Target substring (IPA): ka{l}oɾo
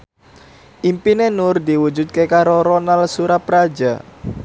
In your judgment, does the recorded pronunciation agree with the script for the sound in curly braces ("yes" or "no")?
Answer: no